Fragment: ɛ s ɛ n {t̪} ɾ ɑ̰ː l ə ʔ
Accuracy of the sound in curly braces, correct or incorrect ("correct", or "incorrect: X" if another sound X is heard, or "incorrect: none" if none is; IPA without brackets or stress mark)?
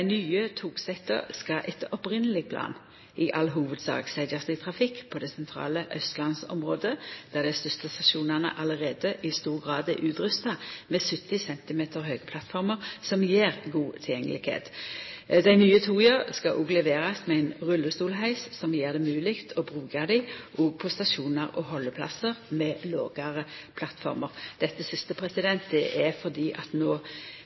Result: incorrect: t̪ʰ